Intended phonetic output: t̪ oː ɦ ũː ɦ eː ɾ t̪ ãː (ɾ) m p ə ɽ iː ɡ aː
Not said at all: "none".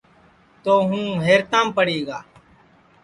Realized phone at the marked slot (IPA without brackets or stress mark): none